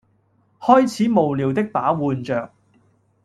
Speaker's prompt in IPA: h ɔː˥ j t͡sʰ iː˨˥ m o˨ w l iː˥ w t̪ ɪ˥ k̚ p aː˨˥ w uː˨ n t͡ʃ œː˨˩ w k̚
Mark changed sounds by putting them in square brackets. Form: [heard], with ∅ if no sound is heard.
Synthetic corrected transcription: h ɔː˥ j t͡sʰ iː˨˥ m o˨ w l [iː˨] w t̪ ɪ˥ k̚ p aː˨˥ w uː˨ n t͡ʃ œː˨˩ [∅] k̚

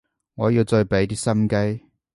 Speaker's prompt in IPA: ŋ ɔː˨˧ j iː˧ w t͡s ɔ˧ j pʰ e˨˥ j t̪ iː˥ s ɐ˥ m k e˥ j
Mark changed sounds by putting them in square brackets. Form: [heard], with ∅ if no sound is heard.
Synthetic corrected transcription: ŋ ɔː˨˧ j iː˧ w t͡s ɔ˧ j [p] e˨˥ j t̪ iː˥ s ɐ˥ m k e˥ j

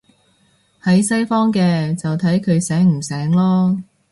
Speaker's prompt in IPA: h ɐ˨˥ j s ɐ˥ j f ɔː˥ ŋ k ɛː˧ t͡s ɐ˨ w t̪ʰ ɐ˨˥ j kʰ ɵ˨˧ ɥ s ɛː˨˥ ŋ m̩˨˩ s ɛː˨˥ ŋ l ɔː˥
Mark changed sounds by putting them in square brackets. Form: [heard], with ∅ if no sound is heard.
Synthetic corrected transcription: h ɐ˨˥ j s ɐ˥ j f ɔː˥ ŋ k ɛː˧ t͡s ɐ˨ w t̪ʰ ɐ˨˥ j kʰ ɵ˨˧ ɥ s ɛː˨˥ ŋ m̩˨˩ s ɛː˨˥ ŋ l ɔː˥

